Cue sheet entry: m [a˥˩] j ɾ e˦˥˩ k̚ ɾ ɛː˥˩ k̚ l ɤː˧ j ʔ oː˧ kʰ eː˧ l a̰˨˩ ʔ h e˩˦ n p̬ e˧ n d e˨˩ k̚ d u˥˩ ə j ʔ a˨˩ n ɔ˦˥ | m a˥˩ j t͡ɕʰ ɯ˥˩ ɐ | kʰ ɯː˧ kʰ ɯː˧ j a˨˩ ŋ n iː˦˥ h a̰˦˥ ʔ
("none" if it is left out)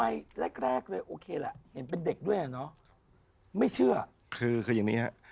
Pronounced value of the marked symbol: a˧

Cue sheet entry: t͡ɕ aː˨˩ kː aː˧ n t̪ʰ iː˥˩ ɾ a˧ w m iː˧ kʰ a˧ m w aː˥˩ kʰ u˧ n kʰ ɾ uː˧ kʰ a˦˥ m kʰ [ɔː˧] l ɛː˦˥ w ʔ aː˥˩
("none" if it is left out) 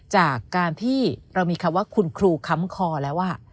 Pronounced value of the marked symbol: ɔː˧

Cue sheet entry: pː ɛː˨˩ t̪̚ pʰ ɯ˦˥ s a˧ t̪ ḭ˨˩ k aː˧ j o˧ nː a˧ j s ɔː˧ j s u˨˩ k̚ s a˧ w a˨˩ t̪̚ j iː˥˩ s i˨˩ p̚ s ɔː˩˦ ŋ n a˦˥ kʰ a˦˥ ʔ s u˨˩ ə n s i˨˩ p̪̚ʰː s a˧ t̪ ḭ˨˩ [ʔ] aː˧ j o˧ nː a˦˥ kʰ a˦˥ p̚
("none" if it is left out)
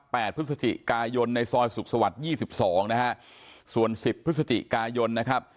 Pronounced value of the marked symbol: k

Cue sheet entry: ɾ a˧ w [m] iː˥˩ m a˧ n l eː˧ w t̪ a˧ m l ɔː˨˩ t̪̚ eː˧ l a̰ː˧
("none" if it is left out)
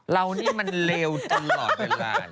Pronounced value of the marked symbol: n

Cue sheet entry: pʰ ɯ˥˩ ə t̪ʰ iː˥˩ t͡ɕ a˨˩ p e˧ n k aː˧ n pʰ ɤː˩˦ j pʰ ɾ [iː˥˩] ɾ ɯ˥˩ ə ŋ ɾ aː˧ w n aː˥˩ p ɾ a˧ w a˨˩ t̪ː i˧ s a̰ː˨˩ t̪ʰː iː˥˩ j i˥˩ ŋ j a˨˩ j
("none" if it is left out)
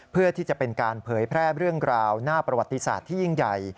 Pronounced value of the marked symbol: ɛː˥˩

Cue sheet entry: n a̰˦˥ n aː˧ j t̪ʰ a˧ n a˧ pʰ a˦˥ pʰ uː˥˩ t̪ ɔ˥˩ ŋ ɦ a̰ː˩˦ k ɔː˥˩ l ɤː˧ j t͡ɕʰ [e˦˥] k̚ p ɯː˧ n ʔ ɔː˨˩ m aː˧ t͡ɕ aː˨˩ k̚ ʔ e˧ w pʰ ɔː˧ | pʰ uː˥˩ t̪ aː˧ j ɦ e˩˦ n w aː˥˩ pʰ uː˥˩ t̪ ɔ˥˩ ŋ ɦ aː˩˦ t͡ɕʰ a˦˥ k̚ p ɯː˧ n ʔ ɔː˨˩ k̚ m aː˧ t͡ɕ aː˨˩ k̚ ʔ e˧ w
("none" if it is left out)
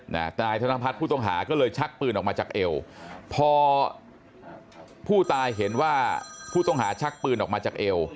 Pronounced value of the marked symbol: a˦˥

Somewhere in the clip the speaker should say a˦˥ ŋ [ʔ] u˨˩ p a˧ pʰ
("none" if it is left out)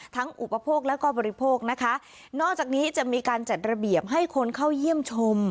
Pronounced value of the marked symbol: ʔ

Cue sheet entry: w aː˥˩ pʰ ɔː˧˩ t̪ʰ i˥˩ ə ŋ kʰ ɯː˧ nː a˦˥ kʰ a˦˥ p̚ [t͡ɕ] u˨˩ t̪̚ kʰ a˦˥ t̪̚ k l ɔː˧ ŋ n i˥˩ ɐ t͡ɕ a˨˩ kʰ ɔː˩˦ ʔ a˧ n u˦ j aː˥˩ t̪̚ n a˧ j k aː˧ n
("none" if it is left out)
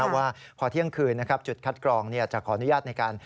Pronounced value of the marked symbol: t͡ɕ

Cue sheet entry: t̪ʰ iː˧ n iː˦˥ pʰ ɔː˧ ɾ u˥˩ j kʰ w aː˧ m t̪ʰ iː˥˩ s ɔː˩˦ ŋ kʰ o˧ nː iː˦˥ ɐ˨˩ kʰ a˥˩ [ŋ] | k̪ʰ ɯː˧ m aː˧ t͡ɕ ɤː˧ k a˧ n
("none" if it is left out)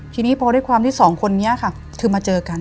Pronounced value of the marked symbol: none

